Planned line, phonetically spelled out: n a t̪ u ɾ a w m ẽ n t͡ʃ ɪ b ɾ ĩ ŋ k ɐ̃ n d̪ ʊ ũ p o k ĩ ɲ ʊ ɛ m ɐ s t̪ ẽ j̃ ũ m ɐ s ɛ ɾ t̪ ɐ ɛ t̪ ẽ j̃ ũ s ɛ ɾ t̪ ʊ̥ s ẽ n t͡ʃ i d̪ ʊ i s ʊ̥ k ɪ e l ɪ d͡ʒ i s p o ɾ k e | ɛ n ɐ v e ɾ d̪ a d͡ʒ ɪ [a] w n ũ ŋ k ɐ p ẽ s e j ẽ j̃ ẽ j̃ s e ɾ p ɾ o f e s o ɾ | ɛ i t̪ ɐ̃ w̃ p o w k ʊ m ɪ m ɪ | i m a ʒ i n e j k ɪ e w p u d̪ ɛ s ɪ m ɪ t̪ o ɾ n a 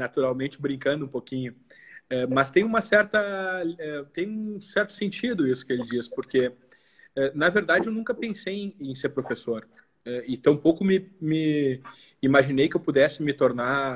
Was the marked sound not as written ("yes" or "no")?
yes